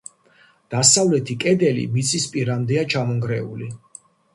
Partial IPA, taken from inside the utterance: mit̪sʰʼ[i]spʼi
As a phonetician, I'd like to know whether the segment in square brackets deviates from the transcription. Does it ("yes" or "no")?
no